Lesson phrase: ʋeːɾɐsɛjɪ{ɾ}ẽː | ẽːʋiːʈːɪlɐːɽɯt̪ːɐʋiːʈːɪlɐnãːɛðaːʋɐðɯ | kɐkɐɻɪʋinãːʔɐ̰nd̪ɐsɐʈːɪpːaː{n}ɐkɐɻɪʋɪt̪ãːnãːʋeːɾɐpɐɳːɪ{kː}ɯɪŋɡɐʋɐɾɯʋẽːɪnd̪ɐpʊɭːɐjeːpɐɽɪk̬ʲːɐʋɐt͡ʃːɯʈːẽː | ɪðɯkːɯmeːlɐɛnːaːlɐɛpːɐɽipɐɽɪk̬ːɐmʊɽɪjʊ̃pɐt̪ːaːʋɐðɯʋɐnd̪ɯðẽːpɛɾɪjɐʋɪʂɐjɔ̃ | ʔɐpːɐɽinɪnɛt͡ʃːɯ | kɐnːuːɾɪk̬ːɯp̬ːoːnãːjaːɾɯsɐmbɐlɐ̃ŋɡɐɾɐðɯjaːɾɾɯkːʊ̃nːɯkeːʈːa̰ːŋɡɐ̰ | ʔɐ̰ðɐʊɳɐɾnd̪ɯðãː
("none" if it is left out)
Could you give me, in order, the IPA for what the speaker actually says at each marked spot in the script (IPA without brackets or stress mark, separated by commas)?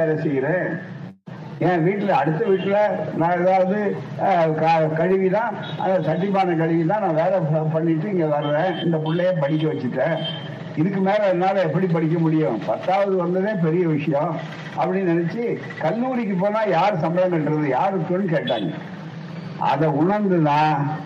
ɾ, n, ʈː